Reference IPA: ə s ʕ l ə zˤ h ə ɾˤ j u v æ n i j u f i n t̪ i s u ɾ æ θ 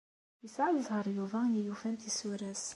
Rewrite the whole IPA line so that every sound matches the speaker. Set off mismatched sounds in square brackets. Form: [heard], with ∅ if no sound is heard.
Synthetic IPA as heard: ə s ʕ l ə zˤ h ə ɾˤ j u v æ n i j u f [æ] n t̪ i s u ɾ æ [s]